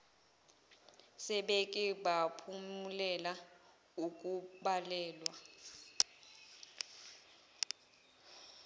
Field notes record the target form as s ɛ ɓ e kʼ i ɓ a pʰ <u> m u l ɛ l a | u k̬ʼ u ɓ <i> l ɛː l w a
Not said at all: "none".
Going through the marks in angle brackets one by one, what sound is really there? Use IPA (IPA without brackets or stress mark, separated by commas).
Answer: u, a